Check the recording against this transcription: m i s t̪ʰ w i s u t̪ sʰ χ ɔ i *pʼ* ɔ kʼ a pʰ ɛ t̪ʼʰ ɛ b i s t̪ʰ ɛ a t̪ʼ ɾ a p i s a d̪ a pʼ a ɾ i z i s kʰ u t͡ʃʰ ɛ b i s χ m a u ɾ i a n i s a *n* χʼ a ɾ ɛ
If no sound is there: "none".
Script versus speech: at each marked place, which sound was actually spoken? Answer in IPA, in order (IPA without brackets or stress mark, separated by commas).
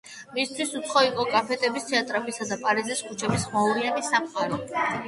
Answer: qʼ, m